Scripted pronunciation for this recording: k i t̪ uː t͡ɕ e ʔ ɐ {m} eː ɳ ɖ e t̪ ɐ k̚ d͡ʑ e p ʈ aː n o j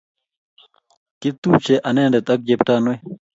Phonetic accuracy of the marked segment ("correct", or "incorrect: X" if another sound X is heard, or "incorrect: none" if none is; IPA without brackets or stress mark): incorrect: n